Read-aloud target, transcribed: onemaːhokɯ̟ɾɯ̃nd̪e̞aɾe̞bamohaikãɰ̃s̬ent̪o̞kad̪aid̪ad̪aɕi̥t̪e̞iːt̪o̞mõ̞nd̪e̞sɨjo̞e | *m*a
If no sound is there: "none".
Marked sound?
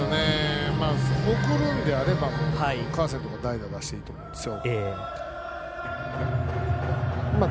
m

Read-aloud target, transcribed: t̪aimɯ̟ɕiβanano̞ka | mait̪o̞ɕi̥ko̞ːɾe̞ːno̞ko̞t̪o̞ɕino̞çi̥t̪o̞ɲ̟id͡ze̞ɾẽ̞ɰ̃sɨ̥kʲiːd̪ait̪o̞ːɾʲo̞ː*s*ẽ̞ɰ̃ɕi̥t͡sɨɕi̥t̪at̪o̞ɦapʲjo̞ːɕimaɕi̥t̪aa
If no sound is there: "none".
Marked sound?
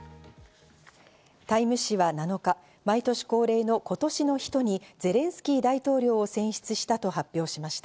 s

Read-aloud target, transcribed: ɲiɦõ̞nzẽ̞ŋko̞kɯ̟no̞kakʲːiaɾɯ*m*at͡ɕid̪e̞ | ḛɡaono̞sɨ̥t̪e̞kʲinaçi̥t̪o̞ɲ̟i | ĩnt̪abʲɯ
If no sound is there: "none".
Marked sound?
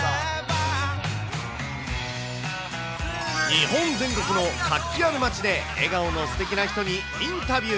m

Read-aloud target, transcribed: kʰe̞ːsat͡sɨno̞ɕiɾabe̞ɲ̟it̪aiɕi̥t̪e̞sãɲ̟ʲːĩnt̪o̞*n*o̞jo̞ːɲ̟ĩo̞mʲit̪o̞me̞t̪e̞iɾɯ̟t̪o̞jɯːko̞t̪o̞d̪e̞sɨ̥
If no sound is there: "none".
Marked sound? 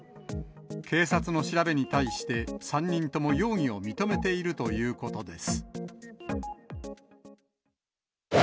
m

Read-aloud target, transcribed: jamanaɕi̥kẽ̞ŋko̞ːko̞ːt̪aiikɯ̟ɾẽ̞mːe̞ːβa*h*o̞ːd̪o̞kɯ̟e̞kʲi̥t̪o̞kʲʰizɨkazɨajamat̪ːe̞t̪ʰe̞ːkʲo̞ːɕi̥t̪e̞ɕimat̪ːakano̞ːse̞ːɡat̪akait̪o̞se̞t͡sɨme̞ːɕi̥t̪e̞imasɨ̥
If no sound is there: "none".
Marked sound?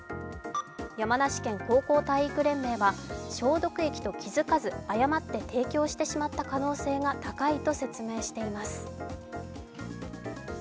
ɕ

